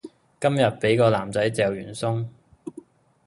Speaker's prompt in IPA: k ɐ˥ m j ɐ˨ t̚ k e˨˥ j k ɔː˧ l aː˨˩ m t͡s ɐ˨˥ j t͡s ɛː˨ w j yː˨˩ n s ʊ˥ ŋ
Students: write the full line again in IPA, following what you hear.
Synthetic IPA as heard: k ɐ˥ m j ɐ˨ t̚ p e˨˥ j k ɔː˧ l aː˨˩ m t͡s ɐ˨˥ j t͡s ɛː˨ w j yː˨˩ n s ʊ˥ ŋ